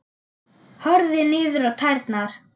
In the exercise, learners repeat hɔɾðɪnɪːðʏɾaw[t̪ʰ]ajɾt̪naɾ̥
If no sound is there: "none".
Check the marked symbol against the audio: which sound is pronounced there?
t̪ʰ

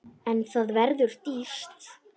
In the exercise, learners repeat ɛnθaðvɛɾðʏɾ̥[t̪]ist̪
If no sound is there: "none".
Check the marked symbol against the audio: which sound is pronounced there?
t̪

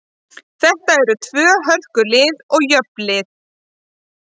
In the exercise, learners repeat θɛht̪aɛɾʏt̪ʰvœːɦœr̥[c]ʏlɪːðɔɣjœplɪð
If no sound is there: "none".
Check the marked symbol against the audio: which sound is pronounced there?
k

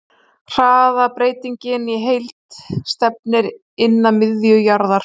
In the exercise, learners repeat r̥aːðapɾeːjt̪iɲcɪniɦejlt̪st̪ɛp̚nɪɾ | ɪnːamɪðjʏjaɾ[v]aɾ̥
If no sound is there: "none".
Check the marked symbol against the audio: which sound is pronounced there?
ð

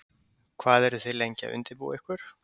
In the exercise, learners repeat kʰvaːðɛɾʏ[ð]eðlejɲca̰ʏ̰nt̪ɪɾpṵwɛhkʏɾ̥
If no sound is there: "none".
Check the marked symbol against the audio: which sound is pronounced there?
θ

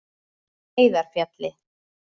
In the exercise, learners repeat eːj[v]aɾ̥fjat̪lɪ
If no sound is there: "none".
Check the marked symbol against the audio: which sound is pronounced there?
ð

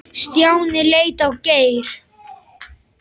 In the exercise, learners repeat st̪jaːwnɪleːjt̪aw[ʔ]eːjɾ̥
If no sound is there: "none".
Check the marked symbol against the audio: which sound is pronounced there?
c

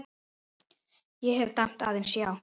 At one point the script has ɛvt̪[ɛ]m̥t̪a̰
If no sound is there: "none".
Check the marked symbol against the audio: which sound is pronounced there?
a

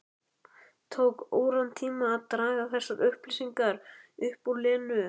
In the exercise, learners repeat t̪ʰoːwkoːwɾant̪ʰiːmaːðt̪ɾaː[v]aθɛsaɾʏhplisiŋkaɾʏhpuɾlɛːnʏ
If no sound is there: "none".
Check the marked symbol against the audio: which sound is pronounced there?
ɣ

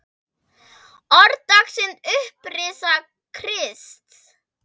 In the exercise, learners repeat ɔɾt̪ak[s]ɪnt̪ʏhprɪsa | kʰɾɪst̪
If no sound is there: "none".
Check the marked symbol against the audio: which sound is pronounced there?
s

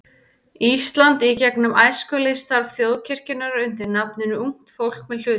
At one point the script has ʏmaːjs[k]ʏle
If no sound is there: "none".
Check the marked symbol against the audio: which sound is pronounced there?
k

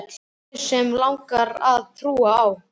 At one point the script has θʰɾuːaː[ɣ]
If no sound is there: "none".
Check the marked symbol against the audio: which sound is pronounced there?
w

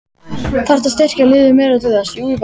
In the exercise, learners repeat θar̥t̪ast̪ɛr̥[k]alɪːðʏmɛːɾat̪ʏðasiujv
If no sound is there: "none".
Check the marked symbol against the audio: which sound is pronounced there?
c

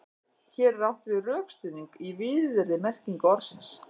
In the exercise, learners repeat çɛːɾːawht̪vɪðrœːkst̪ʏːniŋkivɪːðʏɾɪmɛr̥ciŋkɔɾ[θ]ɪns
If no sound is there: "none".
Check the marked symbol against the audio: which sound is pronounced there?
s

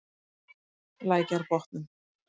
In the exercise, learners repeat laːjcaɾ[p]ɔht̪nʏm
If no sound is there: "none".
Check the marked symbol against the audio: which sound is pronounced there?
p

